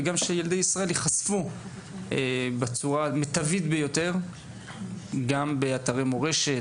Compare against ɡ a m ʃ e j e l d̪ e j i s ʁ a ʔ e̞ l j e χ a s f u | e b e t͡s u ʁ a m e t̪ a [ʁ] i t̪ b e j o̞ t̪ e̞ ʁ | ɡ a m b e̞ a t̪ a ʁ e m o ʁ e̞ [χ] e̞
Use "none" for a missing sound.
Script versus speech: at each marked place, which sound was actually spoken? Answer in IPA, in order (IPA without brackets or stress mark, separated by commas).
v, ʃ